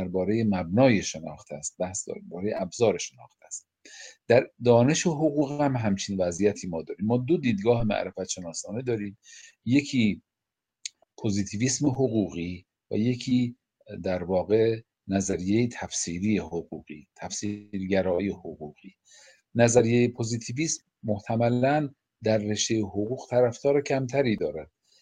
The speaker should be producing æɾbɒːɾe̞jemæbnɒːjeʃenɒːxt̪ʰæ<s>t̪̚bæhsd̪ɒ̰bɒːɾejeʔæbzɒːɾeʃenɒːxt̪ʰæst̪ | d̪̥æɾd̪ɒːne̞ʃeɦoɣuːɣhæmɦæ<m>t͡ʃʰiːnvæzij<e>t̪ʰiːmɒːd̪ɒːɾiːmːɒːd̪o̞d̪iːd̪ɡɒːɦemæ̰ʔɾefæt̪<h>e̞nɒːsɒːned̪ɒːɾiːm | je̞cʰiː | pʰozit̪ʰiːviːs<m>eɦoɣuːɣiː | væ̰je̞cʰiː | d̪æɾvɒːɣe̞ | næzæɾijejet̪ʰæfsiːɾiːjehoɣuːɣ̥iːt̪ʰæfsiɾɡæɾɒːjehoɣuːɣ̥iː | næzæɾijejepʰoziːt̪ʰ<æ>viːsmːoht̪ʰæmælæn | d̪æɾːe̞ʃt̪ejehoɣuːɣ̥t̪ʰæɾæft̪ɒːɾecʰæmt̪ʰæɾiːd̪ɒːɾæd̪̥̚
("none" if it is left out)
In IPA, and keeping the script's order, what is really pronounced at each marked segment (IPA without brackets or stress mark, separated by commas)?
s, m, æ, ʃ, m, i